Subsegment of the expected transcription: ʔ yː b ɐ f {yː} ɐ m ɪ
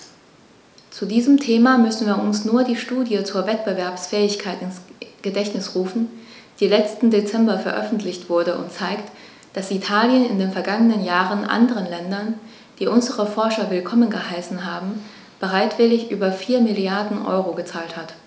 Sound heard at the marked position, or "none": iː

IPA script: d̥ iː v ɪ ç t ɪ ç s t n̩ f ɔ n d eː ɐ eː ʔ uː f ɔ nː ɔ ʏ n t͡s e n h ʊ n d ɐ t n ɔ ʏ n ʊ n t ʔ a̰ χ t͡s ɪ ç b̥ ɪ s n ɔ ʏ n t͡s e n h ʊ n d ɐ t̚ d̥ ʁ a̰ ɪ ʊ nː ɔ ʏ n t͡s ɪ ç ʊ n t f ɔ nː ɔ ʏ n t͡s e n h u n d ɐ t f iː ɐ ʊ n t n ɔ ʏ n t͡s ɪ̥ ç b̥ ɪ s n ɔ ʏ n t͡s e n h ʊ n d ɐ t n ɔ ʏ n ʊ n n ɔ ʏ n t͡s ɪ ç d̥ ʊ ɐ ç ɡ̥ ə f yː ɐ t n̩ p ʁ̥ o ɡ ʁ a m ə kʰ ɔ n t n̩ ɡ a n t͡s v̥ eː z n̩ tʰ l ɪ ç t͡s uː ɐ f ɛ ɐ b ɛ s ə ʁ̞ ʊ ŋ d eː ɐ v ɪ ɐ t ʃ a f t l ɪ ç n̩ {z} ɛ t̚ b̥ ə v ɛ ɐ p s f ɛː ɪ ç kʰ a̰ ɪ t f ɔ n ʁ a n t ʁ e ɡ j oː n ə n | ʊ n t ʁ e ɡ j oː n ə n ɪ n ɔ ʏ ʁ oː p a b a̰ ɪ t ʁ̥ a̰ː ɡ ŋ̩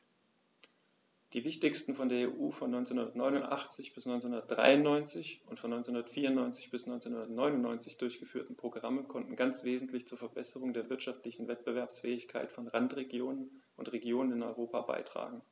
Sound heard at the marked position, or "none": v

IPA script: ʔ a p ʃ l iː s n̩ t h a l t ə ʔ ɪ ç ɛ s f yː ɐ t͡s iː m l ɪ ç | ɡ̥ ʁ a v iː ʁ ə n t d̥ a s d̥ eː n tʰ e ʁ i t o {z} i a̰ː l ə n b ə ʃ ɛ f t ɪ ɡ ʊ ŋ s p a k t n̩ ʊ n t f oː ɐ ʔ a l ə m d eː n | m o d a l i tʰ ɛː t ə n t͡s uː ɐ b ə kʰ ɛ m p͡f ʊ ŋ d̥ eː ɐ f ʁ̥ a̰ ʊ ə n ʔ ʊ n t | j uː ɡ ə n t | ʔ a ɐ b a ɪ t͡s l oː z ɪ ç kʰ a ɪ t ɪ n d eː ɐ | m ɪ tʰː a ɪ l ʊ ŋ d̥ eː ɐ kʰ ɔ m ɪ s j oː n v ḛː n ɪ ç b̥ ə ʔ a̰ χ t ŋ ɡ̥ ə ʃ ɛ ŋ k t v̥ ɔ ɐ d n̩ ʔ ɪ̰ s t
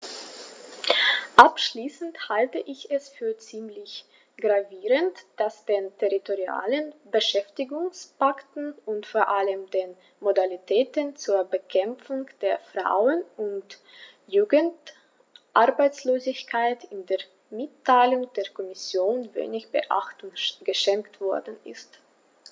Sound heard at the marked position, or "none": ʁ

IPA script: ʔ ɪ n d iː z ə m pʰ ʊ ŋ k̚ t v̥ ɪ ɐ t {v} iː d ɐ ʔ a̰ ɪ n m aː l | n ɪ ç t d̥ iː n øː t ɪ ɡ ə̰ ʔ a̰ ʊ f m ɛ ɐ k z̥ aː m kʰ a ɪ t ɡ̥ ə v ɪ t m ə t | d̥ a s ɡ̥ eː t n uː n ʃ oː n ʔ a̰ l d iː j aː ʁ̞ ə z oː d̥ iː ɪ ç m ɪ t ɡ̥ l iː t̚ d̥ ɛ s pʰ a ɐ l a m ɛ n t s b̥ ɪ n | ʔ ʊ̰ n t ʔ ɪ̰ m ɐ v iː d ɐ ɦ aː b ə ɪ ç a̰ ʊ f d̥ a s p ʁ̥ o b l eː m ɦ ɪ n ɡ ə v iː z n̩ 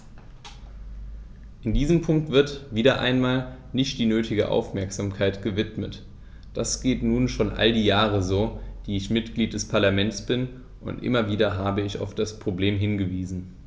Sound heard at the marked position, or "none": v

